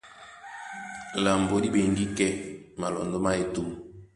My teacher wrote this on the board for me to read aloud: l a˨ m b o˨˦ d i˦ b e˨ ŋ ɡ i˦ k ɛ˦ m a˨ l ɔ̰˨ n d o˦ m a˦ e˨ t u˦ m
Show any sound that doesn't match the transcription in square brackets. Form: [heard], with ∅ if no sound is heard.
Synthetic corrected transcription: l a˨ m b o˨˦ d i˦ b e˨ ŋ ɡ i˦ k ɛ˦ m a˨ l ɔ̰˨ n d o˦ m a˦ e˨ t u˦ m